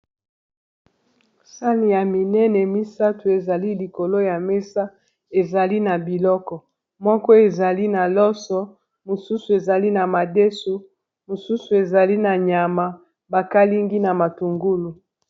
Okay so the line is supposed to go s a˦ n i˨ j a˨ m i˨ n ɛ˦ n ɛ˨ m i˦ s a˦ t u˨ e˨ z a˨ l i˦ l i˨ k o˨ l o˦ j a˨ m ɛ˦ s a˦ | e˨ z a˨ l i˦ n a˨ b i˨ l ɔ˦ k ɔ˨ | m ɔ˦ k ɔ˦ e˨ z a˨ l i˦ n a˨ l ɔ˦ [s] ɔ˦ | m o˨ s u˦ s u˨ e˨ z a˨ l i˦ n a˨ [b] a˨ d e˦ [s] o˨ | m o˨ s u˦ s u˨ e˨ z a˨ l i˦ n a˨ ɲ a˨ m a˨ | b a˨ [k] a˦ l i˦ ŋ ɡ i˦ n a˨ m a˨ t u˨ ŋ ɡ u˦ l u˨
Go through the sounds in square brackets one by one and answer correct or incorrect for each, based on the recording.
correct, incorrect, correct, correct

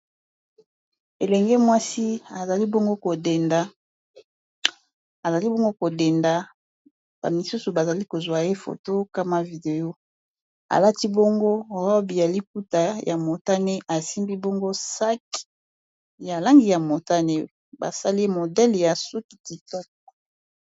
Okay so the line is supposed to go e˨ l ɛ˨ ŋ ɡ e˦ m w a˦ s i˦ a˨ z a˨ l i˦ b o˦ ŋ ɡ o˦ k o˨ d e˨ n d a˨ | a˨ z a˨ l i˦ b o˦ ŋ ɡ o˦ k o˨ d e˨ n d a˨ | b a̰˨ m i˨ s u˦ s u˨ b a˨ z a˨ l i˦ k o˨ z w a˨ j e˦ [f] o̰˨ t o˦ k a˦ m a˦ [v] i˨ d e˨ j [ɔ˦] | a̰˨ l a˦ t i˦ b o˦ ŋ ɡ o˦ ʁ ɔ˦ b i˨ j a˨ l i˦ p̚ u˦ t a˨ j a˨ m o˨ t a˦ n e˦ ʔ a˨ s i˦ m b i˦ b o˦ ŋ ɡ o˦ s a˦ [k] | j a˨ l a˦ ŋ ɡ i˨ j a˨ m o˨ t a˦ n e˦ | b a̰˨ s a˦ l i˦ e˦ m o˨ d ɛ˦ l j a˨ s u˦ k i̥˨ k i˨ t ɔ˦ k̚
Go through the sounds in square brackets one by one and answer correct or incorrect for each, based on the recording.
correct, correct, incorrect, correct

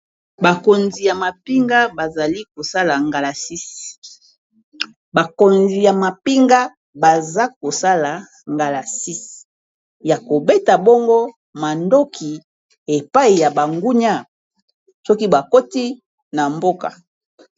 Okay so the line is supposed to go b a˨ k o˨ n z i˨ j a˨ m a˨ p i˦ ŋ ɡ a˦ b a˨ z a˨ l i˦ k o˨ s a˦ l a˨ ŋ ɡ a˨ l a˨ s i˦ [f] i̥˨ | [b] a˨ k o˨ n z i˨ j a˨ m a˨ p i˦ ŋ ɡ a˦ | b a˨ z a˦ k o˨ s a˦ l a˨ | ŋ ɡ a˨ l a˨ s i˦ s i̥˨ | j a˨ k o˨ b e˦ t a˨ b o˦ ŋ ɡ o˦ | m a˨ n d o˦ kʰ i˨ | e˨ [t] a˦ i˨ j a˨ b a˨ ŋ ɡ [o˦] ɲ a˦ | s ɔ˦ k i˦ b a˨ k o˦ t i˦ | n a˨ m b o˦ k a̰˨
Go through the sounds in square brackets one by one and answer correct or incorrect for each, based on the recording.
incorrect, correct, incorrect, incorrect

